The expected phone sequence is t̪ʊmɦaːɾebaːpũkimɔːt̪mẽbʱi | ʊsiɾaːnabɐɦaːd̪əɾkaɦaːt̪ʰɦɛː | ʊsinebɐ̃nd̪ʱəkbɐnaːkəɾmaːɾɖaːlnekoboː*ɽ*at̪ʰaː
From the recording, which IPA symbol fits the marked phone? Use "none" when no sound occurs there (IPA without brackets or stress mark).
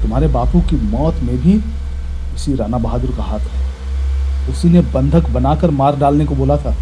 l